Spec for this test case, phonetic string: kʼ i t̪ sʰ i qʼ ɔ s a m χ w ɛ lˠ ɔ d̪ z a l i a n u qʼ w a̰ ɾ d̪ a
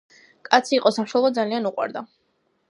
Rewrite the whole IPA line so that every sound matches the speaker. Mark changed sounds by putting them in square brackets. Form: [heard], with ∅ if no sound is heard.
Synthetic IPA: kʼ [a] t̪ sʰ [iː] qʼ ɔ s a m [ʃ] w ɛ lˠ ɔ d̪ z a l i a n u qʼ w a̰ ɾ d̪ a